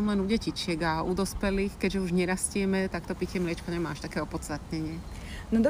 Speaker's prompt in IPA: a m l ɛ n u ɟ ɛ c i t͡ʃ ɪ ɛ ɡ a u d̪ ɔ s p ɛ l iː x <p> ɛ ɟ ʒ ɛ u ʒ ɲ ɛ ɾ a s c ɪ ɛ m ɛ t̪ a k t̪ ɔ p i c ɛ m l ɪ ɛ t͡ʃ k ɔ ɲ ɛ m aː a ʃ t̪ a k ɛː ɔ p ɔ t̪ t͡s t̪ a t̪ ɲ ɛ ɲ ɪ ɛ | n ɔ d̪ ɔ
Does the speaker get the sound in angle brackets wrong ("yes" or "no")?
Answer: yes